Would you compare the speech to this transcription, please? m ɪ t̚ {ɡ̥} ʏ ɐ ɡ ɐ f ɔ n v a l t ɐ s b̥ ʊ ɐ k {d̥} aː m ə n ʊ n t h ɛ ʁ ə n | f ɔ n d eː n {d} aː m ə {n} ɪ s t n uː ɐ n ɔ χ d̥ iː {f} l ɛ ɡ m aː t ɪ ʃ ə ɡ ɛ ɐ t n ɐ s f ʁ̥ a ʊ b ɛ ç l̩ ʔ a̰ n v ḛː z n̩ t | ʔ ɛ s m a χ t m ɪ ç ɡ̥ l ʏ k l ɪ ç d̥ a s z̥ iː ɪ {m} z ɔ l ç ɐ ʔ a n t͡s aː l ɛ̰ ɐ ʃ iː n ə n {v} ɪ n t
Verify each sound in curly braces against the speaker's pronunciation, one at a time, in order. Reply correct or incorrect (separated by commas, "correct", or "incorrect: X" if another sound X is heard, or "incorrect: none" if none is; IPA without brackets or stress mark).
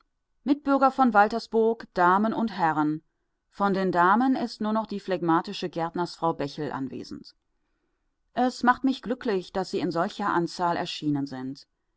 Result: incorrect: b̥, correct, correct, correct, correct, incorrect: n, incorrect: z